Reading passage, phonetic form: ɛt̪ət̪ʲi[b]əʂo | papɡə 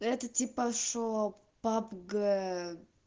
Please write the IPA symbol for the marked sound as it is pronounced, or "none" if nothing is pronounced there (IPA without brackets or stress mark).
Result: p